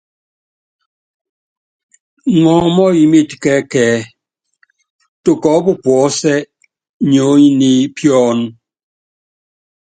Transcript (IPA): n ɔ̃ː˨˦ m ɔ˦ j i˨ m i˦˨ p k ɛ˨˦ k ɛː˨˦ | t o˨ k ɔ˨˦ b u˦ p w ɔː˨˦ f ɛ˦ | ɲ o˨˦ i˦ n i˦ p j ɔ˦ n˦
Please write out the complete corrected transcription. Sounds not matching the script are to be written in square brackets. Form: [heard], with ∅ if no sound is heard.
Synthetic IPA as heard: [ŋ] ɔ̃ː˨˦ m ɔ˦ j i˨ m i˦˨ [t] k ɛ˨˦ k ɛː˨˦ | t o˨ k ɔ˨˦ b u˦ p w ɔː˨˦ [s] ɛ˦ | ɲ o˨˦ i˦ n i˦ p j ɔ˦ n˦